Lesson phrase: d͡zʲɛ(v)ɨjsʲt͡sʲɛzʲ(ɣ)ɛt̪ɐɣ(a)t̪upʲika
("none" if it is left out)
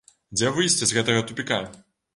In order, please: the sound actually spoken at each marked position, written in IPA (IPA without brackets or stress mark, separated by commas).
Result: v, ɣ, ɐ